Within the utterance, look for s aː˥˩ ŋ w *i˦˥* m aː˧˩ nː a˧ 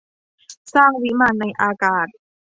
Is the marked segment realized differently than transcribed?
no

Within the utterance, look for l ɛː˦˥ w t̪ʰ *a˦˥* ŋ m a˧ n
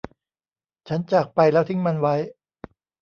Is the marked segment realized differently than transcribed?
yes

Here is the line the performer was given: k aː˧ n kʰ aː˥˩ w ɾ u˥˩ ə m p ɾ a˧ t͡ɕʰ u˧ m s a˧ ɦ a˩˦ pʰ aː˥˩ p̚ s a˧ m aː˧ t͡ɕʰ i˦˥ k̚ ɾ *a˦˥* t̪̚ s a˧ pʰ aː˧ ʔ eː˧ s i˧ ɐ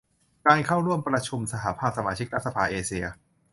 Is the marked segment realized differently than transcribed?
no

